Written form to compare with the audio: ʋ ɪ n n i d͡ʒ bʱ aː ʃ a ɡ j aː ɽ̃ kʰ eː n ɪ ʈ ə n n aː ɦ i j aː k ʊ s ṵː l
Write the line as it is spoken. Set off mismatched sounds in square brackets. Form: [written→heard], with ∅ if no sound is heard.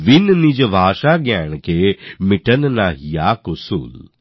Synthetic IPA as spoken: ʋ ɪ n n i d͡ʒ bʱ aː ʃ a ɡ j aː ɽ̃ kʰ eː [n→m] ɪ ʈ ə n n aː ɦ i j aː k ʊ s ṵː l